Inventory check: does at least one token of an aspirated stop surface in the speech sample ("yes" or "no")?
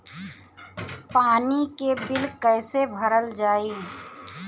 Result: no